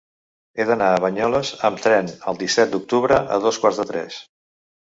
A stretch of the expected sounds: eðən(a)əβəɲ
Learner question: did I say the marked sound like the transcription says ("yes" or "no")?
yes